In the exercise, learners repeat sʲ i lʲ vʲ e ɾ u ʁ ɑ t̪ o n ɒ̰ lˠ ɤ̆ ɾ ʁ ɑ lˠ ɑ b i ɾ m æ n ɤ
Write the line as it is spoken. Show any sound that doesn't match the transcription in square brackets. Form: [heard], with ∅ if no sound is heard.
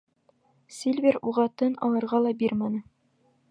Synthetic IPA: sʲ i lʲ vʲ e ɾ u ʁ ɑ t̪ [ɤ] n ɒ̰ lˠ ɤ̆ ɾ ʁ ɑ lˠ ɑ b i ɾ m æ n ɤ